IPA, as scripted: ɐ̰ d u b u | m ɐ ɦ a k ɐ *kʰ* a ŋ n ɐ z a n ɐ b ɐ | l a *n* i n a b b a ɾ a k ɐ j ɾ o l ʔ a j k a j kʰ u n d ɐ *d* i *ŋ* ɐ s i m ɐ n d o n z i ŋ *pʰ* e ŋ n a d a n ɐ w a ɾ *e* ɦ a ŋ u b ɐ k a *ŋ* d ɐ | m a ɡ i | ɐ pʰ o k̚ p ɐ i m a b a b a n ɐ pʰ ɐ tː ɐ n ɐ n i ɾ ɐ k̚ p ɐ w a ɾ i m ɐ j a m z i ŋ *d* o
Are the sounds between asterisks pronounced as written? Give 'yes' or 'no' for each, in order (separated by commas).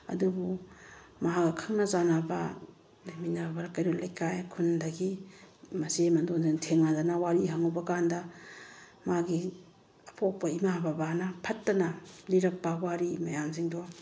yes, no, no, no, no, no, no, yes